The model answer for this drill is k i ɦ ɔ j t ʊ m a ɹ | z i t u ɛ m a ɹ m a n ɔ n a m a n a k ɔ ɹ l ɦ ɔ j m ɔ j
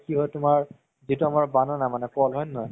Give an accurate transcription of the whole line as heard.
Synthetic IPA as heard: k i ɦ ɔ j t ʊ m a ɹ | z i t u a m a ɹ b a n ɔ n a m a n ɛ k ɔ l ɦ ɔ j n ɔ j